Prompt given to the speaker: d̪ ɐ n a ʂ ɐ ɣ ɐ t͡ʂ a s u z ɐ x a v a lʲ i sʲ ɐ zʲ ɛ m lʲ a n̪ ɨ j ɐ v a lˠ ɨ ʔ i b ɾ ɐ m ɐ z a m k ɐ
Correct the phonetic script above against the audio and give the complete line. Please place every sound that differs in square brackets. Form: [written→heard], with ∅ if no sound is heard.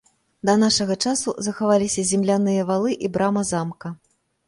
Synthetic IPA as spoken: d̪ ɐ n a ʂ ɐ ɣ ɐ t͡ʂ a s u z ɐ x a v a lʲ i sʲ ɐ zʲ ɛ m lʲ a n̪ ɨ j ɐ v a lˠ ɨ ʔ i b ɾ [ɐ→a] m ɐ z a m k ɐ

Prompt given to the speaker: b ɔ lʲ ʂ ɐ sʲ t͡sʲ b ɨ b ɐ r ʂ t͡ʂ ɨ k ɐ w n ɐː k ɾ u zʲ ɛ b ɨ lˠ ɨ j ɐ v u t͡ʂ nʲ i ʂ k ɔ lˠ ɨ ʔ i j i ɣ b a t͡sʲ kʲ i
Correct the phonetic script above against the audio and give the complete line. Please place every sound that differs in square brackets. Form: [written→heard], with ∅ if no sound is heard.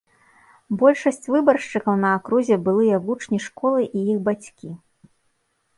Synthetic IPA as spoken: b ɔ lʲ ʂ ɐ sʲ t͡sʲ [b→v] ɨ b ɐ r ʂ t͡ʂ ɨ k ɐ w n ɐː k ɾ u zʲ ɛ b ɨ lˠ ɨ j ɐ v u t͡ʂ nʲ i ʂ k ɔ lˠ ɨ ʔ i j i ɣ b a t͡sʲ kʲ i

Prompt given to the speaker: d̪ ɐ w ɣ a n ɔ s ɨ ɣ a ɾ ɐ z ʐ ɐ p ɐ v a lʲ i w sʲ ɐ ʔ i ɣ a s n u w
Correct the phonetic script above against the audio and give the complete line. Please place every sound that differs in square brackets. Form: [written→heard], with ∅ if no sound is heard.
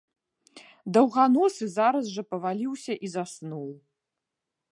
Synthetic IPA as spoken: d̪ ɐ w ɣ a n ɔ s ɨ [ɣ→z] a ɾ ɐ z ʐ ɐ p ɐ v a lʲ i w sʲ ɐ ʔ i [ɣ→z] a s n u w

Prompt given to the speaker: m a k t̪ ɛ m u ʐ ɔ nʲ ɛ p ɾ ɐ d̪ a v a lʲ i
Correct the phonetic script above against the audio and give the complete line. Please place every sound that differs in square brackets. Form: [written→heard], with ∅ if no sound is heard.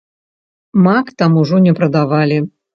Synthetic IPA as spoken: m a k t̪ [ɛ→a] m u ʐ ɔ nʲ ɛ p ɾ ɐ d̪ a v a lʲ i

